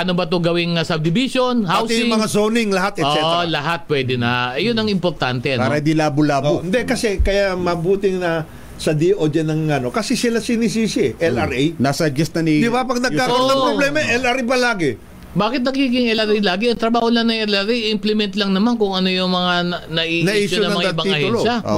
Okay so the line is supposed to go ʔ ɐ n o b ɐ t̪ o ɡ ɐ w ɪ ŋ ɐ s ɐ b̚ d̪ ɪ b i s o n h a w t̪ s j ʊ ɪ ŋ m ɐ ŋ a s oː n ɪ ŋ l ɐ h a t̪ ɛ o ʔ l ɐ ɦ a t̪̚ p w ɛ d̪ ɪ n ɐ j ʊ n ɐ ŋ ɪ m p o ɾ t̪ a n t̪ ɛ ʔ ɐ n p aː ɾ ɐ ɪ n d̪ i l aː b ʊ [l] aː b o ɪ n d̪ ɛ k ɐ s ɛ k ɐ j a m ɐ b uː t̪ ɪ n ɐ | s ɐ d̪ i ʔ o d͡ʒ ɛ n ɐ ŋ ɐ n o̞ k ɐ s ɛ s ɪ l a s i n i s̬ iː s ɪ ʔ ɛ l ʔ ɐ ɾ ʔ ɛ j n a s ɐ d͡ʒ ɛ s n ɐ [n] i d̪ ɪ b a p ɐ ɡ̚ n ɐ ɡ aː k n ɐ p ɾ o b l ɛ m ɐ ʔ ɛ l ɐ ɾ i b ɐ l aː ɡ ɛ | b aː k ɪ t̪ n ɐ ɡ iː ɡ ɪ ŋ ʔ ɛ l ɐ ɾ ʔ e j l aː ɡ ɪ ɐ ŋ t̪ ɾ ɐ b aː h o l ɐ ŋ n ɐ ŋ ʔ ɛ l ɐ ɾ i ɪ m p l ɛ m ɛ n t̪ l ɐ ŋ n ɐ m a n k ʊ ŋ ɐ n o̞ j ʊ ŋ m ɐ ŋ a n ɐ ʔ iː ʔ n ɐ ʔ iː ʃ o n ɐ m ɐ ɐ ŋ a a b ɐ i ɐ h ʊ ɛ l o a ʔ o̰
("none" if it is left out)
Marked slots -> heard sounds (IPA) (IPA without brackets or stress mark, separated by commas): l, n